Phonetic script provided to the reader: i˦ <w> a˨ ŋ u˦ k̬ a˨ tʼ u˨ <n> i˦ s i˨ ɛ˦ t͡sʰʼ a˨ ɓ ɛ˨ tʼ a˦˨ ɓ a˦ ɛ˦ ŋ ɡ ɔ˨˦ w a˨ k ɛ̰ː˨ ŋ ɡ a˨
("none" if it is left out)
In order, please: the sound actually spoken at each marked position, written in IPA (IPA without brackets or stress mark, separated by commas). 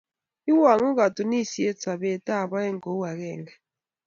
w, n